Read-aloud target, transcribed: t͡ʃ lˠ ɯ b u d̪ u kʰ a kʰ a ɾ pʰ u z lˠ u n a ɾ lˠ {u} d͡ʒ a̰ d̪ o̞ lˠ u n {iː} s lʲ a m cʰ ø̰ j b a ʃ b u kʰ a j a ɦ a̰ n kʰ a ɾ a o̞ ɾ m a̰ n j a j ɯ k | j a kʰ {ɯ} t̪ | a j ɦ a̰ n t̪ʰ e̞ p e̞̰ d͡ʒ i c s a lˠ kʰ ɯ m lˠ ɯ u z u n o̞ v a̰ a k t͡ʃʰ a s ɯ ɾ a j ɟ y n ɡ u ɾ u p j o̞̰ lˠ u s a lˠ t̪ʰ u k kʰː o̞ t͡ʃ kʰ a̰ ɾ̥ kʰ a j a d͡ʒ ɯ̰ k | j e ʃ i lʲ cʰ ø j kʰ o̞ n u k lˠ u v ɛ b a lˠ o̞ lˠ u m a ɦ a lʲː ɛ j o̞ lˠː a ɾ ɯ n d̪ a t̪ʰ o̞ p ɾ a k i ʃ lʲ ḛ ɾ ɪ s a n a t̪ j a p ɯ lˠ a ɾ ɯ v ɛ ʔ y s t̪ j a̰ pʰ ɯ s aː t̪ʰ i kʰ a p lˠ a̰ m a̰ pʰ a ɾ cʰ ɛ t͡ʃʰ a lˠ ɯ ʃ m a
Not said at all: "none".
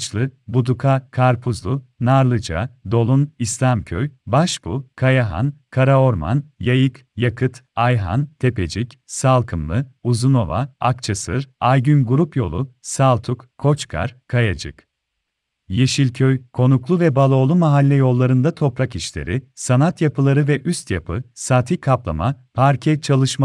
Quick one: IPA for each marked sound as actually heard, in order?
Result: ɯ, i, ɯ

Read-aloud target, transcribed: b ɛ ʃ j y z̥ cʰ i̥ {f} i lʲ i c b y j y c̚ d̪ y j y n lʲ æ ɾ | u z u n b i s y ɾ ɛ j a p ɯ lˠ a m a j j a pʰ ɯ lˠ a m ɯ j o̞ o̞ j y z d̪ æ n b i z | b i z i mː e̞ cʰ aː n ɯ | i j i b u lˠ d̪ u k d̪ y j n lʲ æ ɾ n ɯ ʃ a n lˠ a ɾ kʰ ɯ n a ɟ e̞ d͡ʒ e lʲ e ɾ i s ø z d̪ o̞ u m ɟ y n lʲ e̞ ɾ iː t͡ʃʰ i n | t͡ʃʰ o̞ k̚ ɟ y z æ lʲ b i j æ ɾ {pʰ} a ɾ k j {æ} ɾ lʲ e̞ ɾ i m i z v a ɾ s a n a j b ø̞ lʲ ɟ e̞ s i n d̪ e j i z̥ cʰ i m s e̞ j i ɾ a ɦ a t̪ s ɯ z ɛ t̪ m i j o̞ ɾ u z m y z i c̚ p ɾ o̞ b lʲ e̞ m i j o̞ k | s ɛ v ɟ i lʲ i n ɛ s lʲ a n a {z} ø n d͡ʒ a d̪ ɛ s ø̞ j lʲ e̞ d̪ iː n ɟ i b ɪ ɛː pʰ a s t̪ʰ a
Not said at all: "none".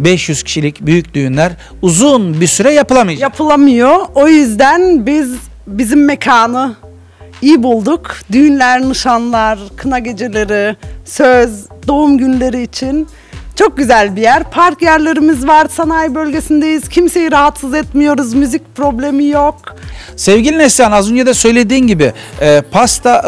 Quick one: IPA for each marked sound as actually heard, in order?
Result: ʃ, pʰ, æ, z

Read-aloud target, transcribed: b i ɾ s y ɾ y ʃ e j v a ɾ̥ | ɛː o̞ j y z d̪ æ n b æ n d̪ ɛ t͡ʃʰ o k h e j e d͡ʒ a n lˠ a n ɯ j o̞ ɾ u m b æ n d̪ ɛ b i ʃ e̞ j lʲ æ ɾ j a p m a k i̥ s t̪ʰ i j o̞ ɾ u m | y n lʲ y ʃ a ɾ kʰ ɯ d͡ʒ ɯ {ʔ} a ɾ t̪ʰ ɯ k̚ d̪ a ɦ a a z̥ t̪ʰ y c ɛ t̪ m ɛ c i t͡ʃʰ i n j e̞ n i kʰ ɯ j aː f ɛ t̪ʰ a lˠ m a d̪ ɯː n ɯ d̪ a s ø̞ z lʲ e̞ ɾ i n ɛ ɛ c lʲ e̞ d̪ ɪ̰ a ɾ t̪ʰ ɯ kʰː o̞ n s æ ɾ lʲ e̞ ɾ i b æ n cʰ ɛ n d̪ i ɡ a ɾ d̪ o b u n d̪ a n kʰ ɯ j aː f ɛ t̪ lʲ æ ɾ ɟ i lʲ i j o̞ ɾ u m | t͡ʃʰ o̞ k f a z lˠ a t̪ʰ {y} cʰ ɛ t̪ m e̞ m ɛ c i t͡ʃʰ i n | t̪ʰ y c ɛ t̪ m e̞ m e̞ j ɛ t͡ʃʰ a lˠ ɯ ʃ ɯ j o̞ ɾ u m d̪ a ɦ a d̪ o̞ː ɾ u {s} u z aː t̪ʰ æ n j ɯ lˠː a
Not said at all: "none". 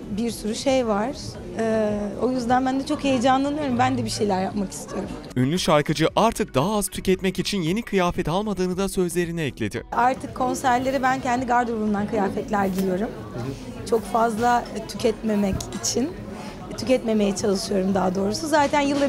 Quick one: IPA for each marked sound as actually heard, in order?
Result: ʔ, y, s

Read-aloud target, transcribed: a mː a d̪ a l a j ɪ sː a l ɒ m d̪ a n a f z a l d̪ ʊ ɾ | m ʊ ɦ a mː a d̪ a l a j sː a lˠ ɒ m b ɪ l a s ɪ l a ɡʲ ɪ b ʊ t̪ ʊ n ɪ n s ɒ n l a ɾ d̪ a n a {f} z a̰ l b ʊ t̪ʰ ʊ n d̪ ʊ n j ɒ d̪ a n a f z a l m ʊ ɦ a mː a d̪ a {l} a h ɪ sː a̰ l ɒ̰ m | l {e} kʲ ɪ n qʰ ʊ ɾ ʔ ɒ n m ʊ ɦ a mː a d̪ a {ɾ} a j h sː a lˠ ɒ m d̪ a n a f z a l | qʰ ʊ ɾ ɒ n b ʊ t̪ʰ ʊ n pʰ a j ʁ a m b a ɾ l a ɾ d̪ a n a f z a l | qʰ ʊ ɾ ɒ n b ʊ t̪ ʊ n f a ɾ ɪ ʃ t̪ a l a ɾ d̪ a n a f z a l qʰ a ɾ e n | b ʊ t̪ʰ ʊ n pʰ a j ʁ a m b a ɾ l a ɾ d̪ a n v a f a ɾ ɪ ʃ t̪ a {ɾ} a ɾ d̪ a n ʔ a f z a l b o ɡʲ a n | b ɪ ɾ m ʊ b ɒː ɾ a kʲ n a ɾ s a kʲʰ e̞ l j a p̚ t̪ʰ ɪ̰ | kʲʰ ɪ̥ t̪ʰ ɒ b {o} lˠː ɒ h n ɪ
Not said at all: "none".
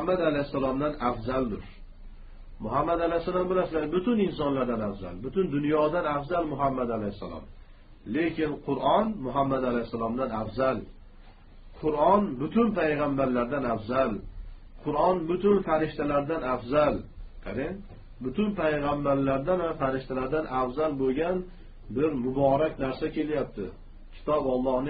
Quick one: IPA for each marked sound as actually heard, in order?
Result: f, l, e, l, l, ɒ

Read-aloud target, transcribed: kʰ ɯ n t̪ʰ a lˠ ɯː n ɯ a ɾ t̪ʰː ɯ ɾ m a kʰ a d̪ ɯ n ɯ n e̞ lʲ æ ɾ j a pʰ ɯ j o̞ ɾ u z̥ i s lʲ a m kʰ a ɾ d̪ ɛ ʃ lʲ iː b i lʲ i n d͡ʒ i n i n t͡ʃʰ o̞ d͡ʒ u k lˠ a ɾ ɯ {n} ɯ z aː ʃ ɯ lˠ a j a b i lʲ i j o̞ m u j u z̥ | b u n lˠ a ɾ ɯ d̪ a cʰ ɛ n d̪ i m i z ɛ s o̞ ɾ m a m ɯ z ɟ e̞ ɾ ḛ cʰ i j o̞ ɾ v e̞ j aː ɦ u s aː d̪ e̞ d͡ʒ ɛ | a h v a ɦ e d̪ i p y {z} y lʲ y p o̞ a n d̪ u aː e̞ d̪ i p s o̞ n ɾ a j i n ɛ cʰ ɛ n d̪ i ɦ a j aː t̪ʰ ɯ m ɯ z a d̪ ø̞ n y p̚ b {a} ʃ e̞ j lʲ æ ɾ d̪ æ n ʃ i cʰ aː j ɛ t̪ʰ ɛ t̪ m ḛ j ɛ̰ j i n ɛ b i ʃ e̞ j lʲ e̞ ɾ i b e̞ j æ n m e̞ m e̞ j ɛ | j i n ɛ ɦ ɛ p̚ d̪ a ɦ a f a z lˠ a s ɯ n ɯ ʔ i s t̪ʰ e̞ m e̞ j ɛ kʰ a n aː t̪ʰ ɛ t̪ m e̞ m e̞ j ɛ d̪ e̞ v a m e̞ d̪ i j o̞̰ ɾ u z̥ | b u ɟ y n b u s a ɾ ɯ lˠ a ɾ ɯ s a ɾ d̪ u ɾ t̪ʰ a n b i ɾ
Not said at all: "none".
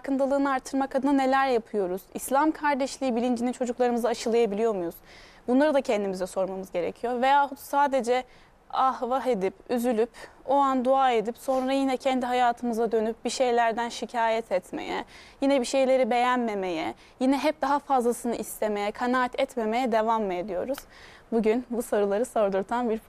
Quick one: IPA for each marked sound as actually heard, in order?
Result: m, z, i

